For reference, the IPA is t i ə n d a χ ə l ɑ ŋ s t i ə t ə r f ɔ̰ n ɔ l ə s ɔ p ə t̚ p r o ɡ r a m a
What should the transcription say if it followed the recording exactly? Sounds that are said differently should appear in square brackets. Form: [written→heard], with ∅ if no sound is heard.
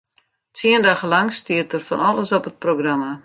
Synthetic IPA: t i ə n d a χ ə l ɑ ŋ s t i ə t ə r f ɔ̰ n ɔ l ə s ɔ p ə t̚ p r o ɡ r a m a